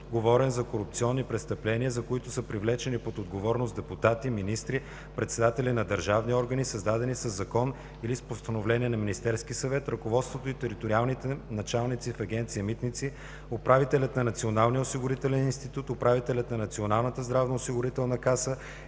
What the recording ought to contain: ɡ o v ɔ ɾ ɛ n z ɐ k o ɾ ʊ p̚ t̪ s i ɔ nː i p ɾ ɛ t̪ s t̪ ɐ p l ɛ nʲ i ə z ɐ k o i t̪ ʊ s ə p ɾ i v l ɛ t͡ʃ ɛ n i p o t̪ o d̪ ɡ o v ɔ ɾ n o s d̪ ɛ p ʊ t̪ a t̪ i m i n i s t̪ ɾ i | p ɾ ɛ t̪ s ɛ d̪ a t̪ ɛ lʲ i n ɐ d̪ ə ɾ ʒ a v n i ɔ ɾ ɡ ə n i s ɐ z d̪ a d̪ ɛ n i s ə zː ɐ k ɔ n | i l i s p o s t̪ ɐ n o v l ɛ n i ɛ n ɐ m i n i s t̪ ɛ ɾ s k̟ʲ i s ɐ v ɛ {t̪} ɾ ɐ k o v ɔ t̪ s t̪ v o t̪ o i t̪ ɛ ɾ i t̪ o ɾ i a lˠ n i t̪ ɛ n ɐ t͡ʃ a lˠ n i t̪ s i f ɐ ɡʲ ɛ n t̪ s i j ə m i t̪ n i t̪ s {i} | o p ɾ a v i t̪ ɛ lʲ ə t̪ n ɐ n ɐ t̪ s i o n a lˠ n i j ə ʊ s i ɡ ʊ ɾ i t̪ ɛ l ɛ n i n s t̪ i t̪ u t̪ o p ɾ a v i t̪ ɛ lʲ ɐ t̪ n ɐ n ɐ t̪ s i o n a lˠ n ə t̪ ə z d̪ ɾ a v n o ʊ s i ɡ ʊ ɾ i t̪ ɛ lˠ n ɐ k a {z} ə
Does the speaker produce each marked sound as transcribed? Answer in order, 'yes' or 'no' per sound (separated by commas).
yes, yes, no